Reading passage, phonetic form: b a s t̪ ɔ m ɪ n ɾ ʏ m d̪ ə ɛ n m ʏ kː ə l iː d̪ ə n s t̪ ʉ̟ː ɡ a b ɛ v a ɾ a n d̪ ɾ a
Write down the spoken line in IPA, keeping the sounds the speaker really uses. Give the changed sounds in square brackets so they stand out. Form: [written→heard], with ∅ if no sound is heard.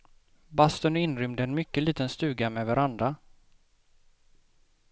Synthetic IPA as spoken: b a s t̪ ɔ [m→n] ɪ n ɾ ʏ m d̪ ə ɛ n m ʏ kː ə l iː [d̪→t̪] ə n s t̪ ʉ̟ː ɡ a [b→m] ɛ v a ɾ a n d̪ ɾ a